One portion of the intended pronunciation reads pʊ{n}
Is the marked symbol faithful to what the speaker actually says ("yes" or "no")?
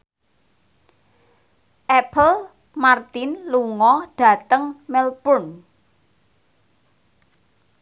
yes